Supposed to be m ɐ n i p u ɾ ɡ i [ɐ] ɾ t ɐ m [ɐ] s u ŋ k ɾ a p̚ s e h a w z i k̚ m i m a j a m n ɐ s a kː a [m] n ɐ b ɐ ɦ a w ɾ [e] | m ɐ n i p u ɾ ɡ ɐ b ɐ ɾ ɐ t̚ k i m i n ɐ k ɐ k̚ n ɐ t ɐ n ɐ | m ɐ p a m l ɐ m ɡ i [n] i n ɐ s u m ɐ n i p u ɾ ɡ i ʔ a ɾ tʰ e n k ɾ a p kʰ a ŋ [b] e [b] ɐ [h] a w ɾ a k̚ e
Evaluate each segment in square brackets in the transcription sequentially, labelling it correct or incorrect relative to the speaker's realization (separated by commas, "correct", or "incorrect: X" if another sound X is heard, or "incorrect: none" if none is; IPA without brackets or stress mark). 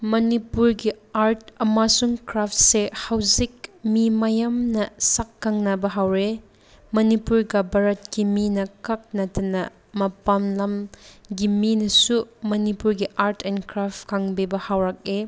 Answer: incorrect: a, incorrect: a, incorrect: ŋ, correct, incorrect: m, correct, correct, correct